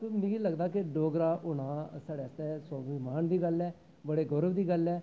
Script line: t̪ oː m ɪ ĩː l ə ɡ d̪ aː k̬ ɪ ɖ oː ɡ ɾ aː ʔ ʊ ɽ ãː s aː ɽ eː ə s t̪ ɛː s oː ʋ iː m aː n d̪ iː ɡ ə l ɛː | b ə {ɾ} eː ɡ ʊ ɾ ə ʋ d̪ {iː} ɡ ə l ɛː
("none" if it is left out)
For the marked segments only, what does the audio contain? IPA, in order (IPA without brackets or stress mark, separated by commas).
ɽ, iː